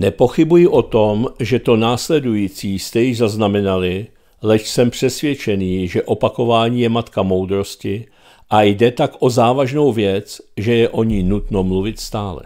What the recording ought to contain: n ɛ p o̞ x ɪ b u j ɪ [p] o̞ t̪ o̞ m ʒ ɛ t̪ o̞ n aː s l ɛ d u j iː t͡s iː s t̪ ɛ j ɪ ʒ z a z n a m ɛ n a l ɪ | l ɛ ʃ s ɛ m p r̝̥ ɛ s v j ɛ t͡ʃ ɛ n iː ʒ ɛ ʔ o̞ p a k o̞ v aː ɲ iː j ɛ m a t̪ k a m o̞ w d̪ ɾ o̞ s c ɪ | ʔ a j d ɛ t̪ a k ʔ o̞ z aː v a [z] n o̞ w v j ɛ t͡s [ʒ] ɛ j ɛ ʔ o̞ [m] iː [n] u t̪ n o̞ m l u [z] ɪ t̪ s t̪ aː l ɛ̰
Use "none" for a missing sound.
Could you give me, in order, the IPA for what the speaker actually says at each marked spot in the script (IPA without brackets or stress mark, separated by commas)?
ʔ, ʒ, ʒ, ɲ, n, v